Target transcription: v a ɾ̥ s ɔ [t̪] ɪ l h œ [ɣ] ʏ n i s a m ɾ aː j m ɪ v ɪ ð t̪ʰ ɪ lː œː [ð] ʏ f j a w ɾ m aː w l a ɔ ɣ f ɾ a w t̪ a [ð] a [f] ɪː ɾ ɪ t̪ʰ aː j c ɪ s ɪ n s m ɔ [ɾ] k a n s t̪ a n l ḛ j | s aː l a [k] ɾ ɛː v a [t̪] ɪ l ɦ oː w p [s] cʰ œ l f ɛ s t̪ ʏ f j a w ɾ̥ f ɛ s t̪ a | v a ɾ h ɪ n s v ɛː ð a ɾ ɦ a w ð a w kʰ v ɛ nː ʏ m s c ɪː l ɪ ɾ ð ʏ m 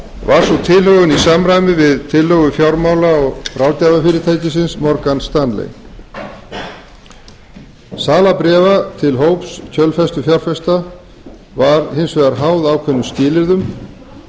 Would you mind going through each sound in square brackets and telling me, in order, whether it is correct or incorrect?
incorrect, correct, incorrect, incorrect, correct, correct, incorrect, incorrect, correct

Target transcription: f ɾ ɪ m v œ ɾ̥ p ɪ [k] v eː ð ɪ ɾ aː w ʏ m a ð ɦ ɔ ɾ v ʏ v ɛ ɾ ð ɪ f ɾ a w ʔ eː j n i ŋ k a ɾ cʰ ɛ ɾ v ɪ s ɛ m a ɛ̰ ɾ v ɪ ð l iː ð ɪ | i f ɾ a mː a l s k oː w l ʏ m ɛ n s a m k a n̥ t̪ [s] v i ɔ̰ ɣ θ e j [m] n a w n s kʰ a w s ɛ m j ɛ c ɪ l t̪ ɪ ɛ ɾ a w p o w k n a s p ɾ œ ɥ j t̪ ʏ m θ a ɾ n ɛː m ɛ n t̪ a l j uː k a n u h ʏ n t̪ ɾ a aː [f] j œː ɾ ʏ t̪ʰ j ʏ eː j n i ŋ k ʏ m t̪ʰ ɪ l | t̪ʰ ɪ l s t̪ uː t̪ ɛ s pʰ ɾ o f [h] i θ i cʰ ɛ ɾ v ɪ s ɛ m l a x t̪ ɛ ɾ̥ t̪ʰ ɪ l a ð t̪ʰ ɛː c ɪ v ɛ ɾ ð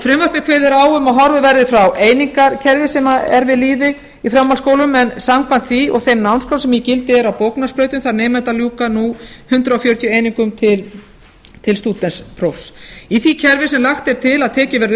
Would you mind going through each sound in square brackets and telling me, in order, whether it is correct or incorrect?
incorrect, incorrect, correct, correct, incorrect

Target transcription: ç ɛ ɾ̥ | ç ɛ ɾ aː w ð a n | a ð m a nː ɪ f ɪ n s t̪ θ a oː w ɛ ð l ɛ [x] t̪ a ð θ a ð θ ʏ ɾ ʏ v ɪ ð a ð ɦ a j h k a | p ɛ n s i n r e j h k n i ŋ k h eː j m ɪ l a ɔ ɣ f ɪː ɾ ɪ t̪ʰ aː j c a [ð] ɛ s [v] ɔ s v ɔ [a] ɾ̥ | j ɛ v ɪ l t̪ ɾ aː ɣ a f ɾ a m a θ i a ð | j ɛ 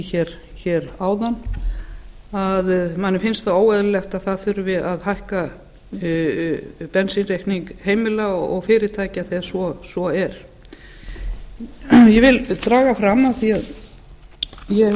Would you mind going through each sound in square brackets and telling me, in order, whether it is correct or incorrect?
correct, incorrect, correct, incorrect

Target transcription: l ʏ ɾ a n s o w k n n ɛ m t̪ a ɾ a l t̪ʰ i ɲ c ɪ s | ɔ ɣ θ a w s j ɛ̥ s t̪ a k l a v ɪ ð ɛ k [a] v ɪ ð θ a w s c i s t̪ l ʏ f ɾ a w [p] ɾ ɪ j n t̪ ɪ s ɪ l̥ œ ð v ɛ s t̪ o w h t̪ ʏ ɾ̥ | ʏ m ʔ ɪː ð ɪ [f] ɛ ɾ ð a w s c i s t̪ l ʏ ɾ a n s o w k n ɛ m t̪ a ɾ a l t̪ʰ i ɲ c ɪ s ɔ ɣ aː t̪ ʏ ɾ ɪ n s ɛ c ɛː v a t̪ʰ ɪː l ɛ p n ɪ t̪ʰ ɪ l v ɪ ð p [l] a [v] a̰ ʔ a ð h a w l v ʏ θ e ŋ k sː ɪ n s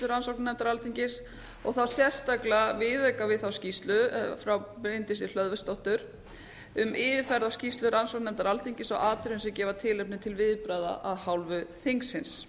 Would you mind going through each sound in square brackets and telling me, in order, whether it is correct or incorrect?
correct, correct, correct, incorrect, incorrect

